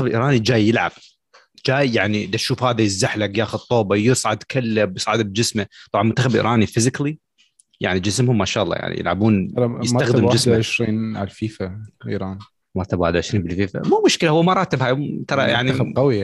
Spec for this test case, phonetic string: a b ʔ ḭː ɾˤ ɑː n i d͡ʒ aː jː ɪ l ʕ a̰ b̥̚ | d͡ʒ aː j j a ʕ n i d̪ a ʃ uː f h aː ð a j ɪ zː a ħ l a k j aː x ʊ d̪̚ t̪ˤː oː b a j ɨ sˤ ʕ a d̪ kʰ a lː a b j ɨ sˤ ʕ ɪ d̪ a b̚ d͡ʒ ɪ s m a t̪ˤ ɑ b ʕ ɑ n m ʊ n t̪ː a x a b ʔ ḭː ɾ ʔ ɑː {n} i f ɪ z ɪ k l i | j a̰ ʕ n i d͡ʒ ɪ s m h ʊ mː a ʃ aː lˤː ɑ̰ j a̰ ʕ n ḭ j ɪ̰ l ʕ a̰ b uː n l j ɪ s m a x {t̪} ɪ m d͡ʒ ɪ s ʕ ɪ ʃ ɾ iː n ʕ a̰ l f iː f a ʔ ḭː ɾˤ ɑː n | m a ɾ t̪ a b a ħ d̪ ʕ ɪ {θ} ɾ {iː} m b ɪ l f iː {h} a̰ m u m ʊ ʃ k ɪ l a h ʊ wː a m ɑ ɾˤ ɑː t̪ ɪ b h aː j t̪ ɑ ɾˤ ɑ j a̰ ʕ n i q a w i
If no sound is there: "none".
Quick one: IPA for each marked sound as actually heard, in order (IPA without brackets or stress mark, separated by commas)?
n, d̪, ʃ, iː, f